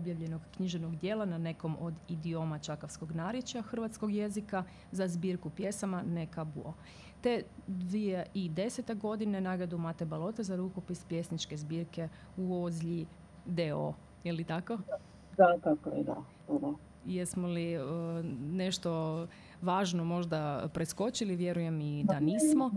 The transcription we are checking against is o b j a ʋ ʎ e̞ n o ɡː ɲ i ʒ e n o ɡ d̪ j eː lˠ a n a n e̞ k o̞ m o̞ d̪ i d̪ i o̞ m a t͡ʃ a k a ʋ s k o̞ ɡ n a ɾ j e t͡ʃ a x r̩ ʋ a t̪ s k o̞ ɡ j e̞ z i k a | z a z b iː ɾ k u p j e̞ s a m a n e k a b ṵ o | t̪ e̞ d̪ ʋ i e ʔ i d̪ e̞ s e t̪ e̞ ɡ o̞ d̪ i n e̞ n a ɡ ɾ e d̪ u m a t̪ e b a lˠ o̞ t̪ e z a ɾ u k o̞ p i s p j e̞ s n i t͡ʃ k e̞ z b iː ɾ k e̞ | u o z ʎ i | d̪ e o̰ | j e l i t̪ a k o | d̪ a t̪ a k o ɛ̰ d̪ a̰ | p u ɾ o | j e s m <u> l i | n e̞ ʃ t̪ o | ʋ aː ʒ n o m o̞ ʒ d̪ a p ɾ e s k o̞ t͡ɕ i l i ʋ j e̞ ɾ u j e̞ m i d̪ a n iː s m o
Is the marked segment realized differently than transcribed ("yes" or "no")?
yes